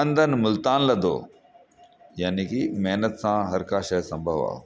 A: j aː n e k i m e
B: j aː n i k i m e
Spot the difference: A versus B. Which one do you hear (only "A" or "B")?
B